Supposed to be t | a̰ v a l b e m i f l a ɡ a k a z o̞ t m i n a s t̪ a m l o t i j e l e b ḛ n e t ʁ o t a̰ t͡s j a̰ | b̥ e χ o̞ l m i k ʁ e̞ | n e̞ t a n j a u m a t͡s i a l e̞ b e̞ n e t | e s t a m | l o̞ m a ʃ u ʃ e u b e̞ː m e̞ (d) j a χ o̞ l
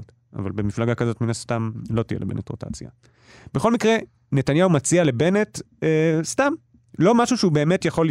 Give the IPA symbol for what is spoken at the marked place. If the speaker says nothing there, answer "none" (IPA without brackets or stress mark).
t